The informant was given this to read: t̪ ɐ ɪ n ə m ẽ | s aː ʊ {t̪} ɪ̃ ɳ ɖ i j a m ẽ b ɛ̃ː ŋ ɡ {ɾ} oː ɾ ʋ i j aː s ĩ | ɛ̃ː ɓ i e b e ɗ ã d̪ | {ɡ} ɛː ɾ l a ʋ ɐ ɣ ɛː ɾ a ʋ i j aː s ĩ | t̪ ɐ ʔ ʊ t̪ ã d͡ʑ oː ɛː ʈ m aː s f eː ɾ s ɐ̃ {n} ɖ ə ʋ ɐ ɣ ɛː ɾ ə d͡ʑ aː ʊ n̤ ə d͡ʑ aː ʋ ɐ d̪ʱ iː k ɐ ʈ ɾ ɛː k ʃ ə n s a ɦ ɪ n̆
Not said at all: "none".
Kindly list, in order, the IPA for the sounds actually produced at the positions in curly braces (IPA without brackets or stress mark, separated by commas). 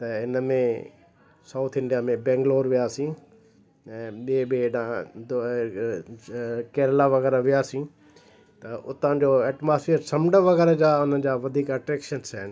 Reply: t̪ʰ, l, k, m